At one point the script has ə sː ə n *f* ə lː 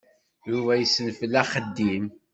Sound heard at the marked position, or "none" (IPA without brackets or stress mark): f